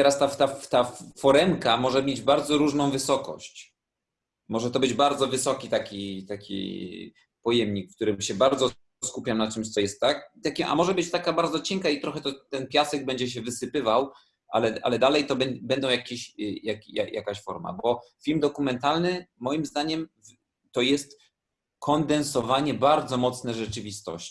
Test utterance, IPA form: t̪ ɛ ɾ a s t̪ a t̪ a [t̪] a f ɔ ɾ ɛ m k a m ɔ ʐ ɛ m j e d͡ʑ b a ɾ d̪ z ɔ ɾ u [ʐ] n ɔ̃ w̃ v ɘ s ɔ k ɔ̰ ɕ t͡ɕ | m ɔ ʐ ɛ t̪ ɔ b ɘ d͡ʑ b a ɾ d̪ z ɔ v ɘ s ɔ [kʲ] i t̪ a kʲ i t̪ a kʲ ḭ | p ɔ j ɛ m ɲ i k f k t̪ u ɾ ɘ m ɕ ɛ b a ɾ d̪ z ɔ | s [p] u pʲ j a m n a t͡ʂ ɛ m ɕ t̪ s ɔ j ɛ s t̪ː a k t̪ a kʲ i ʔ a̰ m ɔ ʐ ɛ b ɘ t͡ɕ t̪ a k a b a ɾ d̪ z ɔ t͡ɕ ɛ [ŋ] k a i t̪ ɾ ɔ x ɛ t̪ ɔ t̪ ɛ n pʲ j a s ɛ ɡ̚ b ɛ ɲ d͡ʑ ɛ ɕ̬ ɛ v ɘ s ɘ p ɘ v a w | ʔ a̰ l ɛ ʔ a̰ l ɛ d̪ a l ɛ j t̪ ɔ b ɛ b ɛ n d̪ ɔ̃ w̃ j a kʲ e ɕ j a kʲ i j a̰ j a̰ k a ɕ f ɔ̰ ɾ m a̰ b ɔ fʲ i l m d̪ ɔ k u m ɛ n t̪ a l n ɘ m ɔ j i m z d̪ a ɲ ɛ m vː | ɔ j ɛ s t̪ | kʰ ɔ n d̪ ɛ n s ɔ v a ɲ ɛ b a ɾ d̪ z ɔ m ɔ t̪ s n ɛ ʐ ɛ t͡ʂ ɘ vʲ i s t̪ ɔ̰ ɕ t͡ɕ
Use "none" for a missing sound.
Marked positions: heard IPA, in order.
t̪, ʐ, kʲ, k, ŋ

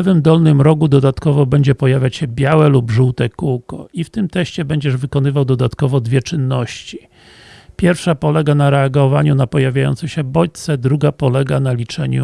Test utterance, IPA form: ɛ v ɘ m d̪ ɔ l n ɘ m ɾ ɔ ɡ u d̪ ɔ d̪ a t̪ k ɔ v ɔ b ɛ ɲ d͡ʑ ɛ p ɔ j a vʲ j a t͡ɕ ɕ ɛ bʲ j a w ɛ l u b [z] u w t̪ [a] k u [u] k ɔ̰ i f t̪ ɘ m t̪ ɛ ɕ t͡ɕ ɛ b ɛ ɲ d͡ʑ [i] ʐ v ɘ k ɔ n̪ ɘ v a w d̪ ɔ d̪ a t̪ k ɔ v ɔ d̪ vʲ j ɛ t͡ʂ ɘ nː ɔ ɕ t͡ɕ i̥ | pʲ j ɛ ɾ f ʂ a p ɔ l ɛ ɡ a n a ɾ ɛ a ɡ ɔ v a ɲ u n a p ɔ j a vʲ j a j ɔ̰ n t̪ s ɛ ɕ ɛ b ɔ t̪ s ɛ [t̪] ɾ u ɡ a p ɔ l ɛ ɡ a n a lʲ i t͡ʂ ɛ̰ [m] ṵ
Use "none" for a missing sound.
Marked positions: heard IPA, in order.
ʐ, ɛ, w, ɛ, d̪, ɲ

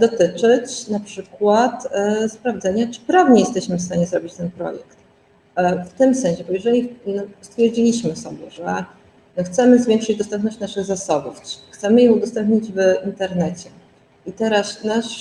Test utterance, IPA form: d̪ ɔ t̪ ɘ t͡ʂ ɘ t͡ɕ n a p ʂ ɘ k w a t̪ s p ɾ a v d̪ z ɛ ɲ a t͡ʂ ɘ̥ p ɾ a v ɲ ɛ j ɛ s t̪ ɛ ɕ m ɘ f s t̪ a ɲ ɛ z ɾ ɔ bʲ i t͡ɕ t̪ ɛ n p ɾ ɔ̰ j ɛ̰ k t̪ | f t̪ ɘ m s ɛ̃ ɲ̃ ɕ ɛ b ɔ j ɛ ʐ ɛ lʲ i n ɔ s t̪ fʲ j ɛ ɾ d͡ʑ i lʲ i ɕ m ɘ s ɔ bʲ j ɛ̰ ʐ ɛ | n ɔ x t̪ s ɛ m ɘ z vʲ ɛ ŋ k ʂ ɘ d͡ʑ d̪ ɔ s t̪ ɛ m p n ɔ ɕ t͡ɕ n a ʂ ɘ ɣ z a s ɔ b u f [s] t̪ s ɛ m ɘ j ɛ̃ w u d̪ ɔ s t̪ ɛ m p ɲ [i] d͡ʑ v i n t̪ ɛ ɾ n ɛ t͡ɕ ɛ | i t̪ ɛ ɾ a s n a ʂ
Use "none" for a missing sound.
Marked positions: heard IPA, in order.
x, i

